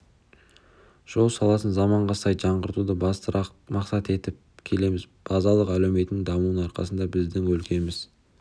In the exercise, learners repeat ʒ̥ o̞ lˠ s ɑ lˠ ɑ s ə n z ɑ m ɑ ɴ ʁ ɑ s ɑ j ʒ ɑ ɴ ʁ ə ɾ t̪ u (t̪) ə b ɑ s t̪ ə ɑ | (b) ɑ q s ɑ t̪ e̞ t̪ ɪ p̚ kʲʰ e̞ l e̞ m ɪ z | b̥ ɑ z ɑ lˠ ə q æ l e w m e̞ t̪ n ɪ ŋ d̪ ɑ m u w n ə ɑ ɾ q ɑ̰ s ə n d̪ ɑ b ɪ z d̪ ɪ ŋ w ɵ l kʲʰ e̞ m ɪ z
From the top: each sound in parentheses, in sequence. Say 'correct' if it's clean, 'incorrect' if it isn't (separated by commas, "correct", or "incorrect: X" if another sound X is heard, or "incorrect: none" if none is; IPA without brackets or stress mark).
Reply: incorrect: d̪, incorrect: m